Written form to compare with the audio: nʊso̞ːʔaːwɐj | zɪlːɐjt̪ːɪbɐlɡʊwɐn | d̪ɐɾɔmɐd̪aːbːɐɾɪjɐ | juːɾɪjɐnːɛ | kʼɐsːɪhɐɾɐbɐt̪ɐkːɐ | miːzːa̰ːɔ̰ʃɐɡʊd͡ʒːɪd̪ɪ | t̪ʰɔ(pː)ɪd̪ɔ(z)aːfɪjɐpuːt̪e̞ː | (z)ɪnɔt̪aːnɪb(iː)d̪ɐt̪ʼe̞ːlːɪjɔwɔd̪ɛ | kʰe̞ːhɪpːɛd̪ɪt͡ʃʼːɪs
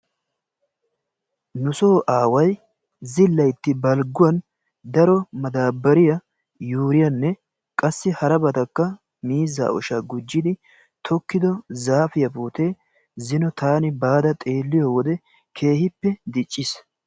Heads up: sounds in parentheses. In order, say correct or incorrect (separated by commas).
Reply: incorrect, correct, correct, incorrect